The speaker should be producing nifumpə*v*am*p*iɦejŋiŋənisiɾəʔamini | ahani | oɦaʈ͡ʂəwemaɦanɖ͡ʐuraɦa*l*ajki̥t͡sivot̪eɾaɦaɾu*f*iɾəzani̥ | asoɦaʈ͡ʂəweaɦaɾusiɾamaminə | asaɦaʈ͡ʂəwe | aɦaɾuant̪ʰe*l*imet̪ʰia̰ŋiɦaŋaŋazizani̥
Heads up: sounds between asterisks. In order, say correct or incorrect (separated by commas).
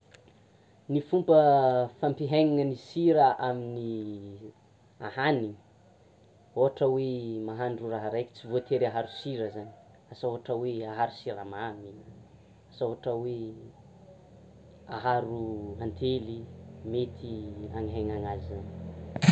incorrect, correct, incorrect, incorrect, correct